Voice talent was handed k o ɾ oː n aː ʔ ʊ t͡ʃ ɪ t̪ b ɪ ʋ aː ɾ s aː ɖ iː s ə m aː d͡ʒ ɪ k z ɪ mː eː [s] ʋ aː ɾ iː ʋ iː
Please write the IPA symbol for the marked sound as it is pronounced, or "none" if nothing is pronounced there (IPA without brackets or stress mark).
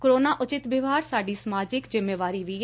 none